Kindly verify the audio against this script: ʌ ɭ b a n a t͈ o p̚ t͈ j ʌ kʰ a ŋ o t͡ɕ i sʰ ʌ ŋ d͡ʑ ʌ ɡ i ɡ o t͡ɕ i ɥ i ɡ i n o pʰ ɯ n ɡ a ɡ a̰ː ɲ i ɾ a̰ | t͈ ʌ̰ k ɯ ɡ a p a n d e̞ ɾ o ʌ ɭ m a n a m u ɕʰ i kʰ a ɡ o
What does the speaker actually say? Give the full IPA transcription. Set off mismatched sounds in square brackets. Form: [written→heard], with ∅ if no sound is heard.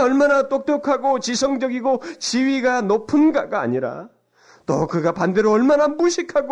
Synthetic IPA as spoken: ʌ ɭ [b→m] a n a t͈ o [p̚→k̚] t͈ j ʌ kʰ a [ŋ→ɡ] o t͡ɕ i sʰ ʌ ŋ d͡ʑ ʌ ɡ i ɡ o t͡ɕ i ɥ i ɡ [i→a] n o pʰ ɯ n ɡ a ɡ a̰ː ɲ i ɾ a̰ | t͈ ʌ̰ k ɯ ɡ a p a n d e̞ ɾ o ʌ ɭ m a n a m u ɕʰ i kʰ a ɡ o